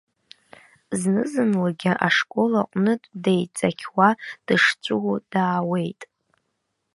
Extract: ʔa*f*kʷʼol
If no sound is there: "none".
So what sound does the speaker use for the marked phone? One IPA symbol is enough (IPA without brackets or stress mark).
ʂ